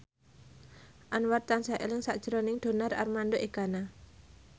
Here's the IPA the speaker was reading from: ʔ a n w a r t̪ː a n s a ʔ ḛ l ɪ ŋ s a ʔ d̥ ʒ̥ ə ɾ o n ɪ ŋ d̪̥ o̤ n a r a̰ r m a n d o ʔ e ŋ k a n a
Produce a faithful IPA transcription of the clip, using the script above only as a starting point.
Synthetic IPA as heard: ʔ a n w a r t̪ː a n s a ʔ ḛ l ɪ ŋ s a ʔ d̥ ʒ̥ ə ɾ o n ɪ ŋ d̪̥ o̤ n a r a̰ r m a n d o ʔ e k a n a